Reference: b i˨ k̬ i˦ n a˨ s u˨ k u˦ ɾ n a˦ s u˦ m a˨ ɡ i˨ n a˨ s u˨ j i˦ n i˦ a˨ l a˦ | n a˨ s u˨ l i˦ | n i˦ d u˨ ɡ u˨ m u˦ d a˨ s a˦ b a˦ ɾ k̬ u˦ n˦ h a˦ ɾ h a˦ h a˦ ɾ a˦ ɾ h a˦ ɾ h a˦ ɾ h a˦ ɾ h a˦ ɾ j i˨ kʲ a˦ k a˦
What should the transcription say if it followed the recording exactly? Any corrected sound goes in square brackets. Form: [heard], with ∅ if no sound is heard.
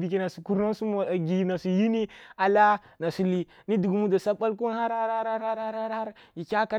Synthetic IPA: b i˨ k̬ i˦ n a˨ s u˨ k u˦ ɾ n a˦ s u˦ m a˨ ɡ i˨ n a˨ s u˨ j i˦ n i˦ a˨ l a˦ | n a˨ s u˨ l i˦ | n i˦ d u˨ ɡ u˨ m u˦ d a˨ s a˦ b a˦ [l] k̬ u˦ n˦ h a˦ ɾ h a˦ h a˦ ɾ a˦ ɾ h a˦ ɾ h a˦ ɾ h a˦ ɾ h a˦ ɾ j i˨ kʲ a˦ k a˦